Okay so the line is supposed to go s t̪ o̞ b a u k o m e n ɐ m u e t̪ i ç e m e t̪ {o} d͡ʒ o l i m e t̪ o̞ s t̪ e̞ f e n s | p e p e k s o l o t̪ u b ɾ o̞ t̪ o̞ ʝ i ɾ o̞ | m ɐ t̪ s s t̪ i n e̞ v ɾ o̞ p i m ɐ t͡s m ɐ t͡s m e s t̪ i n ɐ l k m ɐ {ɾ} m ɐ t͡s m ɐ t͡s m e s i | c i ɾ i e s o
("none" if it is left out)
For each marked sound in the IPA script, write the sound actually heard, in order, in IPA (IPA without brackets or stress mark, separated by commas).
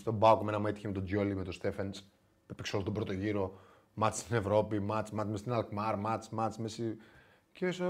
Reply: o, ɾ